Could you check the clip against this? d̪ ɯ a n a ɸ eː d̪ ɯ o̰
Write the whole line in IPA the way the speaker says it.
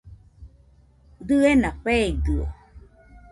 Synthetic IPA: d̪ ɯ e n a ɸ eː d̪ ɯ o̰